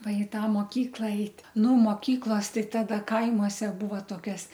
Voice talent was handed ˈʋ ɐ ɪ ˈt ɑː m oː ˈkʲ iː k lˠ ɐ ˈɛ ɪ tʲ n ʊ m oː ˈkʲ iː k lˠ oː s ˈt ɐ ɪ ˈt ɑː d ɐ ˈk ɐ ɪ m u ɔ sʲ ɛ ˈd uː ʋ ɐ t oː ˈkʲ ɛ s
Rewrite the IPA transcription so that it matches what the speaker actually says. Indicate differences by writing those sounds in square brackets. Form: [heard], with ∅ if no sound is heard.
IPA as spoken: ˈʋ ɐ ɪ ˈt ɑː m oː ˈkʲ iː k lˠ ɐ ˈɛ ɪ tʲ n ʊ m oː ˈkʲ iː k lˠ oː s ˈt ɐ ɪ ˈt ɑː d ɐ ˈk ɐ ɪ m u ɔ sʲ ɛ [ˈb] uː ʋ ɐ t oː ˈkʲ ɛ s